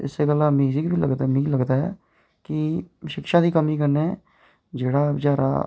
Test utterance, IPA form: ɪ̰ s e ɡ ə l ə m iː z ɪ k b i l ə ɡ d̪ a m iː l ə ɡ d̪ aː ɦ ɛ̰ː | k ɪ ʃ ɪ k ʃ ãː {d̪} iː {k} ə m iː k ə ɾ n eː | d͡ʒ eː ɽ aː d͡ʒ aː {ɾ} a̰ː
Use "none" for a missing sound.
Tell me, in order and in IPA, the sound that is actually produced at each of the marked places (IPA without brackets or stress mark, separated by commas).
d̪, k, ɾ